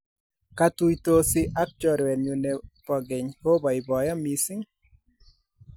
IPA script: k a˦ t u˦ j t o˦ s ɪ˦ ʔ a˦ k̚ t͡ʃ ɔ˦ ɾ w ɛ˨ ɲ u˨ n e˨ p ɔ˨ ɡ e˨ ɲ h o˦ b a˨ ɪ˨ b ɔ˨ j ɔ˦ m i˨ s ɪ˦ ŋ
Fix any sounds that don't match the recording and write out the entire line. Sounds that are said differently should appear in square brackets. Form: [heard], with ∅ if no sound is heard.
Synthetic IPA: k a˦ t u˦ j t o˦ s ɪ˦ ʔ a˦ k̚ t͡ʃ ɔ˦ ɾ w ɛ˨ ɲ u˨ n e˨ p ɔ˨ ɡ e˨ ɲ h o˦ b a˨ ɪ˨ b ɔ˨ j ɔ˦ m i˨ s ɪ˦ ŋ